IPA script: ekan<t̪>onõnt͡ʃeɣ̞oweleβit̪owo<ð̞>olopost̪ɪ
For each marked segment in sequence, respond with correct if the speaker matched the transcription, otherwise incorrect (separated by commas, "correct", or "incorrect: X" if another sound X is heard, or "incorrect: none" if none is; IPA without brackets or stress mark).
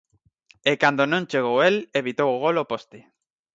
incorrect: d̪, incorrect: ɣ̞